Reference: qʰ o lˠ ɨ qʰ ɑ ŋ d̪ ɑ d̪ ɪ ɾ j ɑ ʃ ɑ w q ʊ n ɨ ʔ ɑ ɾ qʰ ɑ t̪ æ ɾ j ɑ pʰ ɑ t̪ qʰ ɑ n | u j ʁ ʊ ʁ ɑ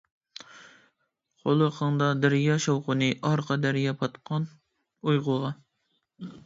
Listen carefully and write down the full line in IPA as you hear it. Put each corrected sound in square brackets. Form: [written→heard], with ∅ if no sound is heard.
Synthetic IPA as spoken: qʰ o lˠ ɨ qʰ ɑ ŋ d̪ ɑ d̪ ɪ ɾ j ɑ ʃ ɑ w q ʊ n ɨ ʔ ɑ ɾ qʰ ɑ [t̪→d̪] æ ɾ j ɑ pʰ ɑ t̪ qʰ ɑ n | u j ʁ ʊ ʁ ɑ